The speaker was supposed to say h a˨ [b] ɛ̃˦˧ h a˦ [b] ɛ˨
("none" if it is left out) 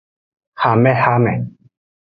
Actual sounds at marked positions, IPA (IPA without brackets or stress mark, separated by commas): m, m